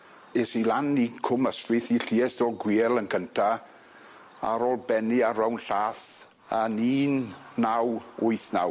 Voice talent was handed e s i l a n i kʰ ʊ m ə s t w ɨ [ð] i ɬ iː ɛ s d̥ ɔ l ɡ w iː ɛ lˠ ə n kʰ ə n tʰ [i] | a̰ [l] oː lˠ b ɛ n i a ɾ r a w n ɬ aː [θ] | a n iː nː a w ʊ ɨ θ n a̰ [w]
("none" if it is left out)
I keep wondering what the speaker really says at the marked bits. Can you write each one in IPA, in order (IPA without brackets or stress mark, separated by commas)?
θ, a, ɾ, θ, w